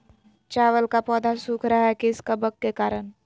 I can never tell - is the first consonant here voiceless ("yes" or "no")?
yes